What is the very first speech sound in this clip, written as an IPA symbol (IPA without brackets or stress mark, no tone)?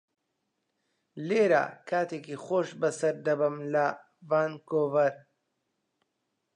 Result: l